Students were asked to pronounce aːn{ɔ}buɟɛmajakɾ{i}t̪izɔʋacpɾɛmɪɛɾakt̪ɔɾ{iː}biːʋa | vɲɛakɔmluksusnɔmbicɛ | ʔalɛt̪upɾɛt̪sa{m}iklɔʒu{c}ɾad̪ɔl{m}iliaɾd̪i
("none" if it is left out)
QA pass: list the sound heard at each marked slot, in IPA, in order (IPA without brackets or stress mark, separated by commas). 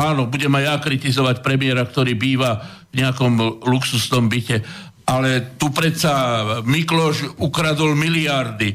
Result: ɔ, i, iː, m, k, m